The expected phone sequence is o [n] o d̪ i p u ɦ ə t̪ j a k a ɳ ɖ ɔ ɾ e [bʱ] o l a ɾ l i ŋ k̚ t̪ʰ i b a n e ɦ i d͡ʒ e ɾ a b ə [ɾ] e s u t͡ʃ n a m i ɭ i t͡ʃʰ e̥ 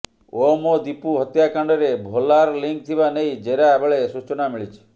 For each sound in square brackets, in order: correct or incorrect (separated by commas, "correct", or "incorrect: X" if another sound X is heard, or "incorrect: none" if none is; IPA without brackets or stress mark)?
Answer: incorrect: m, correct, incorrect: ɭ